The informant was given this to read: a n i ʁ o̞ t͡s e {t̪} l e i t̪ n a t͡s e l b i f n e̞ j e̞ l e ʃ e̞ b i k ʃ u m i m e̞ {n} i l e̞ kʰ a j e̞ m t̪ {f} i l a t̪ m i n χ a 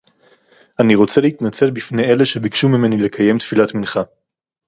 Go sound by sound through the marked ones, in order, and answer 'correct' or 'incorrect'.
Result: incorrect: none, correct, correct

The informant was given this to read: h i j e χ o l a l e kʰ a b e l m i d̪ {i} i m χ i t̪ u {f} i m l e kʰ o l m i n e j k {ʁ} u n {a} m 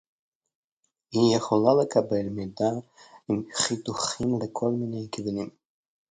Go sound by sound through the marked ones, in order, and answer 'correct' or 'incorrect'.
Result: incorrect: a, incorrect: χ, incorrect: v, incorrect: i

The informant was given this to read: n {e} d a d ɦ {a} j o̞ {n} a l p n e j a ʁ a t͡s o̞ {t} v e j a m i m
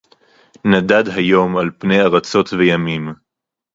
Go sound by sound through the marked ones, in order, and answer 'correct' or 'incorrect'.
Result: incorrect: a, correct, incorrect: m, correct

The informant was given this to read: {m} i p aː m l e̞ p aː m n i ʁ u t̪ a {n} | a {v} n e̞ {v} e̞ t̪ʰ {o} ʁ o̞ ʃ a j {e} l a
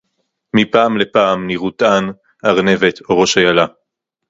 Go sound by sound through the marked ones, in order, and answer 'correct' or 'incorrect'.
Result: correct, correct, incorrect: ʁ, correct, correct, incorrect: a

